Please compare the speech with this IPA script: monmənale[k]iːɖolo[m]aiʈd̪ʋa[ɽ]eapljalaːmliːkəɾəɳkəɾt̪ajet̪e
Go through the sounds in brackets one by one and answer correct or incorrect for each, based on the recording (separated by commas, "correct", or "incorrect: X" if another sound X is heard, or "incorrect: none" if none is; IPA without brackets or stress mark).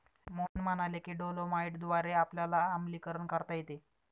correct, correct, incorrect: ɾ